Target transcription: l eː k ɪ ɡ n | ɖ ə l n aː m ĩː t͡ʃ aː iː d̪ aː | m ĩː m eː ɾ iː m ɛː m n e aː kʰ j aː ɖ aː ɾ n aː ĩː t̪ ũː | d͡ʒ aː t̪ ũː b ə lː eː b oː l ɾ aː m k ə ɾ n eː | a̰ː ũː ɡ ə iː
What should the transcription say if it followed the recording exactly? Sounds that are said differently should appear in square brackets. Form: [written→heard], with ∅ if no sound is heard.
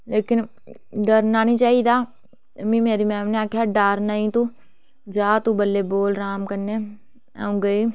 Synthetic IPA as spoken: l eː k ɪ [ɡ→∅] n | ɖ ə [l→ɾ] n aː [m→n] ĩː t͡ʃ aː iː d̪ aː | m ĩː m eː ɾ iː m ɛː m n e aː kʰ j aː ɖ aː ɾ n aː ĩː t̪ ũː | d͡ʒ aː t̪ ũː b ə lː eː b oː l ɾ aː m k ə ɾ n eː | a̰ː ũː ɡ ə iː